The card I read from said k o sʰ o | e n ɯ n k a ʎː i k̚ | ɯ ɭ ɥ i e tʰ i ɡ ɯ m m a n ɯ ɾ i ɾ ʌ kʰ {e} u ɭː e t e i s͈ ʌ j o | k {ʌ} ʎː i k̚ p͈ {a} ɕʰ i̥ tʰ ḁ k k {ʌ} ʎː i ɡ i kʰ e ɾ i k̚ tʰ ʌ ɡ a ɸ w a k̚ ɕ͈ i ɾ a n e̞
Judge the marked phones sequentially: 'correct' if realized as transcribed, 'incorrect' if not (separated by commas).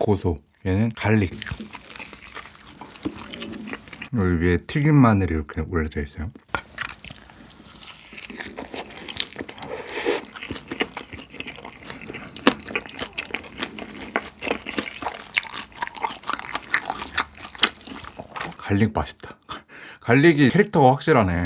correct, incorrect, correct, incorrect